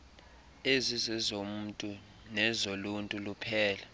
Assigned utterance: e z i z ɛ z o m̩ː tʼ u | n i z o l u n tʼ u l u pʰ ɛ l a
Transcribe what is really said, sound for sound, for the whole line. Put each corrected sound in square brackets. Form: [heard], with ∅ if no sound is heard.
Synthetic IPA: e z i z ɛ z o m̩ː tʼ u | n [ɛ] z o l u n tʼ u l u pʰ [ɛː] l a

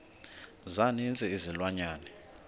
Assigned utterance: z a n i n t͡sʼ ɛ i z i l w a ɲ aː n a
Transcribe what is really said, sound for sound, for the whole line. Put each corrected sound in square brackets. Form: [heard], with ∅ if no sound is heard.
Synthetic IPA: z a n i n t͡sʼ ɛ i z i l w a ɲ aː n [ɛ]

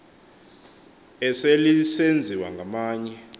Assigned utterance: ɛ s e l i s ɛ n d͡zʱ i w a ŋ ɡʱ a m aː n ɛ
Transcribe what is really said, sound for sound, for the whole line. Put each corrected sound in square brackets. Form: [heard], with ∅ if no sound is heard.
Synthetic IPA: ɛ s e l i s [e] n d͡zʱ i w a ŋ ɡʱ a m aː [ɲ] ɛ

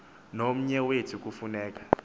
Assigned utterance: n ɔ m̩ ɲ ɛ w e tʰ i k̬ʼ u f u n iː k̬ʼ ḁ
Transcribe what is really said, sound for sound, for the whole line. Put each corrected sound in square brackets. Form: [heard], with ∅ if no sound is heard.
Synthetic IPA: n [o] m̩ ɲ ɛ w e tʰ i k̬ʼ u f u n [ɛː] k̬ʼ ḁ

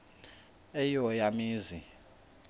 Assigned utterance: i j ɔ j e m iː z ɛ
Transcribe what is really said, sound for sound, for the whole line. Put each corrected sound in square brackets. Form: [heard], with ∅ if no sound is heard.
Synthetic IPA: [ɛ] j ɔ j [a] m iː z [i]

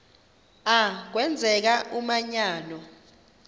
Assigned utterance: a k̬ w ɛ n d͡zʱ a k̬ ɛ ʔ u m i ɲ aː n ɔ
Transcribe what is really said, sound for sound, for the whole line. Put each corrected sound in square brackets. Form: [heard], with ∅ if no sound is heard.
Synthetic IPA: a k̬ w ɛ n d͡zʱ [ɛ] k̬ [a] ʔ u m [a] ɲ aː n ɔ

